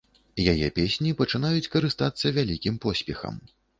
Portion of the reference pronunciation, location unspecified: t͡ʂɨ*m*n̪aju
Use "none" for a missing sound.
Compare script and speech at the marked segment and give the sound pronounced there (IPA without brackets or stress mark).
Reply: none